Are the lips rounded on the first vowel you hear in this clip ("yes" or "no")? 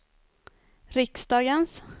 no